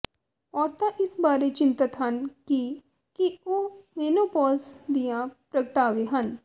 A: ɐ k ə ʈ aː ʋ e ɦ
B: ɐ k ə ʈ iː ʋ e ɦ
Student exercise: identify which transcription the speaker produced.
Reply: A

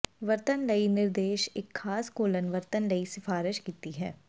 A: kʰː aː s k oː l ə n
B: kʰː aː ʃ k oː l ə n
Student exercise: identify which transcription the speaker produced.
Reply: A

